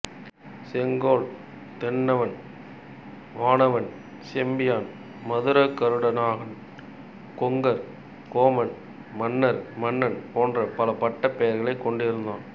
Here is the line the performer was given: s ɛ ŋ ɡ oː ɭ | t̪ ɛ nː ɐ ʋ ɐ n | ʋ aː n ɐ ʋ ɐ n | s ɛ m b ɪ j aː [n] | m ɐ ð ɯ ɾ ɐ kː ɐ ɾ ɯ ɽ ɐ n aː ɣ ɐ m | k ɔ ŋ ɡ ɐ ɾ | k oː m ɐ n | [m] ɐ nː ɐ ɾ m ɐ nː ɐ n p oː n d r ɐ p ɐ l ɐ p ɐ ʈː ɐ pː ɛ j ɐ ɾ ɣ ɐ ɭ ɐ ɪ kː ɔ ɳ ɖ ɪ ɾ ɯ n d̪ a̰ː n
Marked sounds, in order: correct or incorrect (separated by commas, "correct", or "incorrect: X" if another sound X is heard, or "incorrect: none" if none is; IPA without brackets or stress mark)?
correct, correct